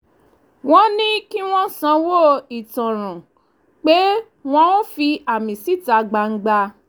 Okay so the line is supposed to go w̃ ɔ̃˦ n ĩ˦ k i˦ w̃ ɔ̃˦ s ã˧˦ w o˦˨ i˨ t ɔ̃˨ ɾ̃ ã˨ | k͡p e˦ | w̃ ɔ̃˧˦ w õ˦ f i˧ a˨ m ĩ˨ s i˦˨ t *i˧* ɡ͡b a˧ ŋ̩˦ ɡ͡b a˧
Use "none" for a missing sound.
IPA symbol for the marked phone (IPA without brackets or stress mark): a˧